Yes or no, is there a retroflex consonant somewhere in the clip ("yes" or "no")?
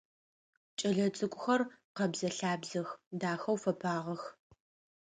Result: no